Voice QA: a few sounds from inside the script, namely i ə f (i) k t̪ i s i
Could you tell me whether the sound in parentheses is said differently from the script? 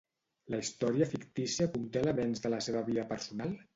no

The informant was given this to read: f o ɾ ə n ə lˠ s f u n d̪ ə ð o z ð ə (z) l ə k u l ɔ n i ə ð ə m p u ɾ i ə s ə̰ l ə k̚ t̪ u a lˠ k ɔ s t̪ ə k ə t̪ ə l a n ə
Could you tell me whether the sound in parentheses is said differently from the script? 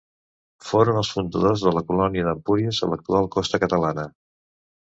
yes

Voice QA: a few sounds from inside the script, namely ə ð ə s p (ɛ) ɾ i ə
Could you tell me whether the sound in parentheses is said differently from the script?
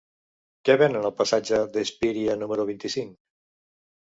yes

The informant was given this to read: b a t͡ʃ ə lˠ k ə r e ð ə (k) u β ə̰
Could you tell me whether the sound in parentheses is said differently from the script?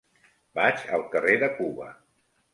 no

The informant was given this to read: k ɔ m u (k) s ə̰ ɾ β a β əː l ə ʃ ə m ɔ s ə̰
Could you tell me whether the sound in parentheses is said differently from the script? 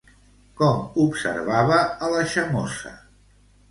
yes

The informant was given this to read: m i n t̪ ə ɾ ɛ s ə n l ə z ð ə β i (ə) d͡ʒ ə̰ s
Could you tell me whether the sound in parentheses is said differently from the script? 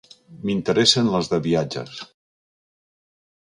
yes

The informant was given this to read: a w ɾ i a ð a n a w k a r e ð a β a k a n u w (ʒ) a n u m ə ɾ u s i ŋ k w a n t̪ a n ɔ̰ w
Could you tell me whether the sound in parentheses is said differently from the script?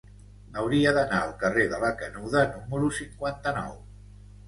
yes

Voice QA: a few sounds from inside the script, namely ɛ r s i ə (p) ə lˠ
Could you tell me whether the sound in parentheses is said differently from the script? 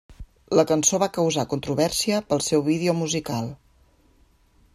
no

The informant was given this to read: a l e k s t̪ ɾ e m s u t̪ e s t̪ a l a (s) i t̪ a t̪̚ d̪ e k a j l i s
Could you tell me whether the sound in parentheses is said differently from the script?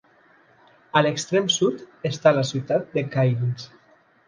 no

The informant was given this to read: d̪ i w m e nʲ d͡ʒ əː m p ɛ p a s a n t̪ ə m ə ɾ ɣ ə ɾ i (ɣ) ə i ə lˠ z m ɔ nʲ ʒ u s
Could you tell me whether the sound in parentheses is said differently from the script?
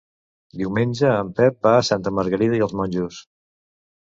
yes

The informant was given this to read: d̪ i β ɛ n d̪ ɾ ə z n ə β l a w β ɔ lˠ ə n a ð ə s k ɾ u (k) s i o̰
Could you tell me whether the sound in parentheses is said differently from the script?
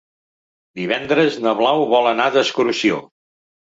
yes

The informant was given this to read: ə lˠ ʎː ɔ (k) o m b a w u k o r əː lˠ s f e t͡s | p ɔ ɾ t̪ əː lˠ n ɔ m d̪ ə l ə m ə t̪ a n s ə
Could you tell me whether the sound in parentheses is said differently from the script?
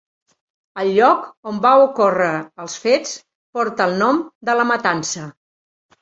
no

